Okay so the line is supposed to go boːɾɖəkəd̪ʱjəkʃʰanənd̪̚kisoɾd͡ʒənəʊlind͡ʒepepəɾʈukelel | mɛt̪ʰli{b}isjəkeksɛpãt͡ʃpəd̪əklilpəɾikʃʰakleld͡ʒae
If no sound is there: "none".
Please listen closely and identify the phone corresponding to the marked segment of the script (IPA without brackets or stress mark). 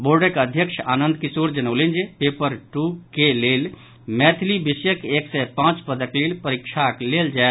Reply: b